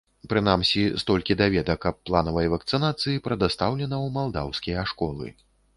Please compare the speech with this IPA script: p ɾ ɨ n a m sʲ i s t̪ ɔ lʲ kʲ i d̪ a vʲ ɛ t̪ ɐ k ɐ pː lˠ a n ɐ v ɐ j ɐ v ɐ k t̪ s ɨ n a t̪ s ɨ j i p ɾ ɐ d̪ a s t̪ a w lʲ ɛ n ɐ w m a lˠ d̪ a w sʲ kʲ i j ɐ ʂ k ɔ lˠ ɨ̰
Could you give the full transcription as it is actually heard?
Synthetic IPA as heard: p ɾ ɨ n a m sʲ i s t̪ ɔ lʲ kʲ i d̪ a vʲ ɛ d̪ ɐ k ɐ pː lˠ a n ɐ v ɐ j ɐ v ɐ k t̪ s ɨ n a t̪ s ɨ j i p ɾ ɐ d̪ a s t̪ a w lʲ ɛ n ɐ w m a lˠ d̪ a w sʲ kʲ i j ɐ ʂ k ɔ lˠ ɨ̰

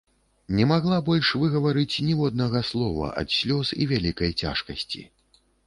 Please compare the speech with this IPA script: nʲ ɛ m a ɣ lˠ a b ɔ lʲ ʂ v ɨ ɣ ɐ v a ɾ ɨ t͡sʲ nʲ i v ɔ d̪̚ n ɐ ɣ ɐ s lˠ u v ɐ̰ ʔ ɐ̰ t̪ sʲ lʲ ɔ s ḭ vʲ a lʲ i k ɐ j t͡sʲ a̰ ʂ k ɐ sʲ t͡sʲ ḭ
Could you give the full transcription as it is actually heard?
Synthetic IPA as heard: nʲ ɛ m a ɣ lˠ a b ɔ lʲ ʂ v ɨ ɣ ɐ v a ɾ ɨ t͡sʲ nʲ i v ɔ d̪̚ n ɐ ɣ ɐ s lˠ ɔ v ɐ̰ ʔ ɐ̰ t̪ sʲ lʲ ɔ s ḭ vʲ a lʲ i k ɐ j t͡sʲ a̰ ʂ k ɐ sʲ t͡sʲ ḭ

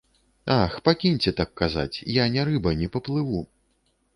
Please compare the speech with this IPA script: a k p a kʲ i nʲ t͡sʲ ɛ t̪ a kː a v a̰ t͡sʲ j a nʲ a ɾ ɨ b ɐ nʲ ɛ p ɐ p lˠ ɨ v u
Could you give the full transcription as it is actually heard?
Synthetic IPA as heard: a x p a kʲ i nʲ t͡sʲ ɛ t̪ a kː a z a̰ t͡sʲ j a nʲ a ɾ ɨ b ɐ nʲ ɛ p ɐ p lˠ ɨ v u

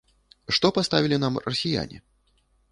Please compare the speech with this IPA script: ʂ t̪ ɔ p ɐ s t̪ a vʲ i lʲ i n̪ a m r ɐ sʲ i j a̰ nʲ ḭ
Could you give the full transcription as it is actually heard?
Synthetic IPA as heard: ʂ t̪ ɔ p a s t̪ a vʲ i lʲ i n̪ a m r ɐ sʲ i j a̰ nʲ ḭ

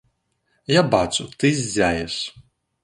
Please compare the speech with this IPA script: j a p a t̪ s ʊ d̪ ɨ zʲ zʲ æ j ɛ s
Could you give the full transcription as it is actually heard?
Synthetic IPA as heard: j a b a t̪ s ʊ t̪ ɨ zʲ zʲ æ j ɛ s

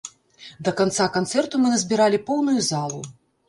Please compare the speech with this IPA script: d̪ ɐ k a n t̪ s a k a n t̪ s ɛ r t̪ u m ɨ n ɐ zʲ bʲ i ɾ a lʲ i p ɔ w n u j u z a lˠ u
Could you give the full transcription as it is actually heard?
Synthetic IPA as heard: d̪ ɐ k a n t̪ s a k a n t̪ s ɛ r t̪ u m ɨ n ɐ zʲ bʲ i ɾ a lʲ i p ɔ w n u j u z a lˠ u

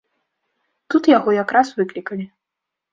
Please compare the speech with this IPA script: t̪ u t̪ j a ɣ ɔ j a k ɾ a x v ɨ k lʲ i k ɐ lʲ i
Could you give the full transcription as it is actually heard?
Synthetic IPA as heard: t̪ u t̪ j a ɣ ɔ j a k ɾ a s v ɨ k lʲ i k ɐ lʲ i

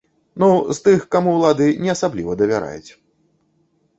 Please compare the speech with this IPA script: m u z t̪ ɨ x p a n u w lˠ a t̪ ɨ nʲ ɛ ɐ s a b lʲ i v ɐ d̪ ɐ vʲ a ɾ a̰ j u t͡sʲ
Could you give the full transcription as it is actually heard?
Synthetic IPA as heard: n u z t̪ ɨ x k a m u w lˠ a d̪ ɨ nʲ ɛ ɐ s a b lʲ i v ɐ d̪ ɐ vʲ a ɾ a̰ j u t͡sʲ

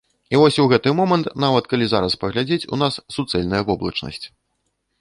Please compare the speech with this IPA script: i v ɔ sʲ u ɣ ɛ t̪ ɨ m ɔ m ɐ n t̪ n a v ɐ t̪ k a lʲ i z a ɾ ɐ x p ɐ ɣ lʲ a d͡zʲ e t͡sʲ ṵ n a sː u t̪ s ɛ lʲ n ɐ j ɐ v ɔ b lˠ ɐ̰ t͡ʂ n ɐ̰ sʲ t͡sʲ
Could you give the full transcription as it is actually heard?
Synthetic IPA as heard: i v ɔ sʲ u ɣ ɛ t̪ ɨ m ɔ m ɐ n t̪ n a v ɐ t̪ k a lʲ i z a ɾ ɐ s p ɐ ɣ lʲ a d͡zʲ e t͡sʲ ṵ n a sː u t̪ s ɛ lʲ n ɐ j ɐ v ɔ b lˠ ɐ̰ t͡ʂ n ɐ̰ sʲ t͡sʲ

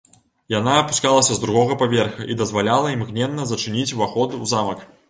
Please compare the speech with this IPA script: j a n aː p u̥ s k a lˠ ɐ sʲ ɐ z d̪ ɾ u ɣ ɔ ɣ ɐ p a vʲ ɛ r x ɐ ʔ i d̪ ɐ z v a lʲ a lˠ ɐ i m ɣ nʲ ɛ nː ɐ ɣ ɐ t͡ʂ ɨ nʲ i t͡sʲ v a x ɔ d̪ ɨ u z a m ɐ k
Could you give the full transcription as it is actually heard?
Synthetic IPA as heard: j a n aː p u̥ s k a lˠ ɐ sʲ ɐ z d̪ ɾ u ɣ ɔ ɣ ɐ p a vʲ ɛ r x ɐ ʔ i d̪ ɐ z v a lʲ a lˠ ɐ i m ɣ nʲ ɛ nː ɐ z ɐ t͡ʂ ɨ nʲ i t͡sʲ v a x ɔ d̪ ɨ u z a m ɐ k

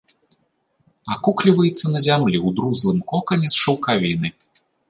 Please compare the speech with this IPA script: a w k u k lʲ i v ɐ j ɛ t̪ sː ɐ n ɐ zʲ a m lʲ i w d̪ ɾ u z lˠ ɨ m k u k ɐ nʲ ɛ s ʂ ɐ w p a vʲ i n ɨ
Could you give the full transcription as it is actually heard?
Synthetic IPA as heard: a k u k lʲ i v ɐ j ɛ t̪ sː ɐ n ɐ zʲ a m lʲ i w d̪ ɾ u z lˠ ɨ m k ɔ k ɐ nʲ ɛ s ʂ ɐ w k a vʲ i n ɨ

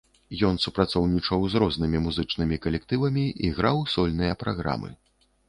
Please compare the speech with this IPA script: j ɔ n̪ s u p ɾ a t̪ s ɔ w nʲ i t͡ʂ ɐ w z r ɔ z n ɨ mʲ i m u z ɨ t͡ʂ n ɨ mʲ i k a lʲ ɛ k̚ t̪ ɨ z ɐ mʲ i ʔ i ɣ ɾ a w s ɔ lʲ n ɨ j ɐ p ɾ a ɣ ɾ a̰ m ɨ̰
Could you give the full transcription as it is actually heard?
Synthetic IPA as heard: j ɔ n̪ s u p ɾ a t̪ s ɔ w nʲ i t͡ʂ ɐ w z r ɔ z n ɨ mʲ i m u z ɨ t͡ʂ n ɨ mʲ i k ɐ lʲ ɛ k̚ t̪ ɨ v ɐ mʲ i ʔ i ɣ ɾ a w s ɔ lʲ n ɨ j ɐ p ɾ a ɣ ɾ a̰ m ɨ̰

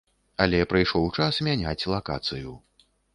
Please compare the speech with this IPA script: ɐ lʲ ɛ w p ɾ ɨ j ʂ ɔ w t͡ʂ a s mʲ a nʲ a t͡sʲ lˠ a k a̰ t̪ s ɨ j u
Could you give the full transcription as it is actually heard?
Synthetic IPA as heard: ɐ lʲ ɛ p ɾ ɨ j ʂ ɔ w t͡ʂ a s mʲ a nʲ a t͡sʲ lˠ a k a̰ t̪ s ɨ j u

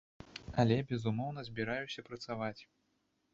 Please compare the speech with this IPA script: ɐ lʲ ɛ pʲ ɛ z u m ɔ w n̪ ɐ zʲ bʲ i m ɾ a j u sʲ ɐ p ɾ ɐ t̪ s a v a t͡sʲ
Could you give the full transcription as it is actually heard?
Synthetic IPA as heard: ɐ lʲ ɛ bʲ ɛ z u m ɔ w n̪ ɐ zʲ bʲ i ɾ a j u sʲ ɐ p ɾ ɐ t̪ s a v a t͡sʲ

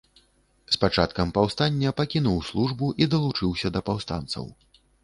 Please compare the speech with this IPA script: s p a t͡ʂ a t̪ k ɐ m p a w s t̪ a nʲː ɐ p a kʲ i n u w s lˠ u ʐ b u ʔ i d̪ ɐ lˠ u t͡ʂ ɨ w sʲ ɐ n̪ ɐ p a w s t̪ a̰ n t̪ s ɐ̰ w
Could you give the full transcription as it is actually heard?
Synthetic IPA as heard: s p a t͡ʂ a t̪ k ɐ m p a w s t̪ a nʲː ɐ p a kʲ i n u w s lˠ u ʐ b u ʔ i d̪ ɐ lˠ u t͡ʂ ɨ w sʲ ɐ d̪ ɐ p a w s t̪ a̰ n t̪ s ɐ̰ w

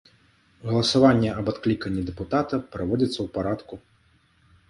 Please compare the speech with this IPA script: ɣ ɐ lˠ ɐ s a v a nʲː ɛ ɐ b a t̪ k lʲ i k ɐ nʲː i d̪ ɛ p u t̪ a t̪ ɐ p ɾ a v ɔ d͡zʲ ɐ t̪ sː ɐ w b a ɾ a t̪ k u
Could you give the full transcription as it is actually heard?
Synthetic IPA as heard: ɣ ɐ lˠ ɐ s a v a nʲː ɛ ɐ b a t̪ k lʲ i k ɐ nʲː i d̪ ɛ p u t̪ a t̪ ɐ p ɾ a v ɔ d͡zʲ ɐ t̪ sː ɐ w p a ɾ a t̪ k u

